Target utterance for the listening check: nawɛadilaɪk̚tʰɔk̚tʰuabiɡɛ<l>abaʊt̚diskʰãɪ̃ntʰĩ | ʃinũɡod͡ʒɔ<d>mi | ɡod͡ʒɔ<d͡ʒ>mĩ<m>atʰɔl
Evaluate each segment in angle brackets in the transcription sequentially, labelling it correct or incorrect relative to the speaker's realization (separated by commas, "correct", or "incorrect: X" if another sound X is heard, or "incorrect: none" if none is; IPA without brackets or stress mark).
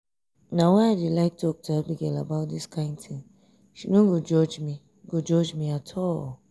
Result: correct, incorrect: d͡ʒ, correct, incorrect: none